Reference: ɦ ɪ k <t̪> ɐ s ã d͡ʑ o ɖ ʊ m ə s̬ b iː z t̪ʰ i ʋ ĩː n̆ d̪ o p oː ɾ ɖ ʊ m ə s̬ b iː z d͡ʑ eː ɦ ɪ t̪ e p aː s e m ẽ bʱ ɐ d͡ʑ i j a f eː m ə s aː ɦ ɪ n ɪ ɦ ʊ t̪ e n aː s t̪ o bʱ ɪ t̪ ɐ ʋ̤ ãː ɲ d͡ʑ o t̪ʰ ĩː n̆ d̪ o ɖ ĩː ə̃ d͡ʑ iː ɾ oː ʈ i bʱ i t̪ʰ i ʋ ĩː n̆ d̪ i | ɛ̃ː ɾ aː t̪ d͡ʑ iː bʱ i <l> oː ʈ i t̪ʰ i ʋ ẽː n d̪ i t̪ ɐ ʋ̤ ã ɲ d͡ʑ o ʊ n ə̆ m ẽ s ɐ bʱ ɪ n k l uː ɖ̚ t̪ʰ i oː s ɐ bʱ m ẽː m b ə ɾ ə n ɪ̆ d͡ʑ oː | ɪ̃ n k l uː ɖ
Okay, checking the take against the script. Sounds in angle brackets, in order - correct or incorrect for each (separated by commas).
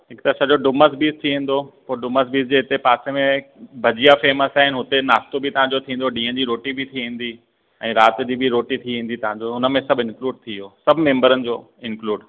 correct, incorrect